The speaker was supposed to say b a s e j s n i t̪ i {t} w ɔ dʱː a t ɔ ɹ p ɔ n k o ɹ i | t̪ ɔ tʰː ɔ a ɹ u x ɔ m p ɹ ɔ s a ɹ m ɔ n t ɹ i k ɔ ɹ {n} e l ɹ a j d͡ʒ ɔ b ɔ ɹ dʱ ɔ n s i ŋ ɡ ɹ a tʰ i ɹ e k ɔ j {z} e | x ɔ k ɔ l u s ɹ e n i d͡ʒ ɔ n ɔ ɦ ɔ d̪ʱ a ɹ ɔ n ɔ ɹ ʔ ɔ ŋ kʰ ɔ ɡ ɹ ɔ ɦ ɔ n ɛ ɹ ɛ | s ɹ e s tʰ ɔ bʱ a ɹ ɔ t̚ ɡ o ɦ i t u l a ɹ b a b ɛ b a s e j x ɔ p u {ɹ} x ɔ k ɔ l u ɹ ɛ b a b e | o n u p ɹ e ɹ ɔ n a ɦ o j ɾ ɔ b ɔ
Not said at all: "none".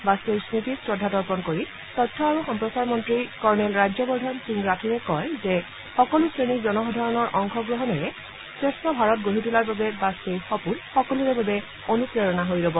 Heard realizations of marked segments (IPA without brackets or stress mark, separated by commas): s, n, z, l